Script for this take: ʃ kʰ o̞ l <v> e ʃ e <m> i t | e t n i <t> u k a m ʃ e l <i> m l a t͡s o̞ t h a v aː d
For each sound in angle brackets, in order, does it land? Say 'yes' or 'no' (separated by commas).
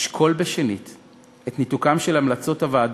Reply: no, no, yes, no